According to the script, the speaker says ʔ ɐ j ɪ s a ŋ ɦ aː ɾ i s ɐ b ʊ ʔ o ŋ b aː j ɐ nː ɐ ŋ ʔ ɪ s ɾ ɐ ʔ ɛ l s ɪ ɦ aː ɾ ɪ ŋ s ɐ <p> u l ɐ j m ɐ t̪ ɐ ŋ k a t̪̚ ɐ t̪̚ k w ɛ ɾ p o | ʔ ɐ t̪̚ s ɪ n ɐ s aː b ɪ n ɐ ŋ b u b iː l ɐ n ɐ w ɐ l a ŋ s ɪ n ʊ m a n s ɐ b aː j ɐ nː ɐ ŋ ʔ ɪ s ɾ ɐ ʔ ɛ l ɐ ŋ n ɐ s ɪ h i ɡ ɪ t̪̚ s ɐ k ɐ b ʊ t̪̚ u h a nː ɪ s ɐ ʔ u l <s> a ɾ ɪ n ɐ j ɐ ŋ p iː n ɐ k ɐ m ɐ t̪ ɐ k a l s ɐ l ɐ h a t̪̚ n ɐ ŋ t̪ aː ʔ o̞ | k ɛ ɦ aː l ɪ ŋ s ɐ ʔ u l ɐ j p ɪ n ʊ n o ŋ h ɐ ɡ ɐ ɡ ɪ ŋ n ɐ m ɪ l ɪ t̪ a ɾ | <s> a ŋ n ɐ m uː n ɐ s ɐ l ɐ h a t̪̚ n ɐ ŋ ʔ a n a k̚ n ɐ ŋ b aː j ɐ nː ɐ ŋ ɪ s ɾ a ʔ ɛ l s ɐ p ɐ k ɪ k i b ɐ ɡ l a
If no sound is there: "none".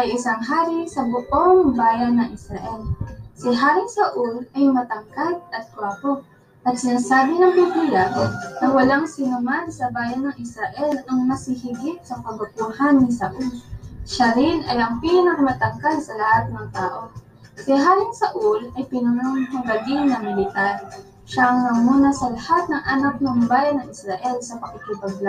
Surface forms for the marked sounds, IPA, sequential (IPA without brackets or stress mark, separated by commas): ʔ, ʃ, ʃ